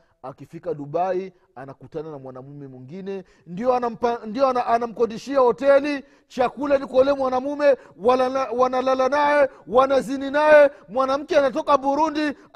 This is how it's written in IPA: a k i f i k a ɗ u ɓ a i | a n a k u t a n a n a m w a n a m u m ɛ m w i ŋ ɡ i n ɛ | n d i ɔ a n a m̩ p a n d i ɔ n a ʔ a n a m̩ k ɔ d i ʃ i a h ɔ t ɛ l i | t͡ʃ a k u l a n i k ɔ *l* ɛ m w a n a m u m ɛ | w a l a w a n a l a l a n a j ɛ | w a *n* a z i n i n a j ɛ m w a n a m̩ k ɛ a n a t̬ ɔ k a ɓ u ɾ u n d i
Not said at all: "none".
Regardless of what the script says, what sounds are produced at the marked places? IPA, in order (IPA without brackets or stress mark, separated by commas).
l, n